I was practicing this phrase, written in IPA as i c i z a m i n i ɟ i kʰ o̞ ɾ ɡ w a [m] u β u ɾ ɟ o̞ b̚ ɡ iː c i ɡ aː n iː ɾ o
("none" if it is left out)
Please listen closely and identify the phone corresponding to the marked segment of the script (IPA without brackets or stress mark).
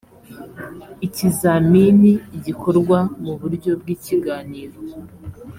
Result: m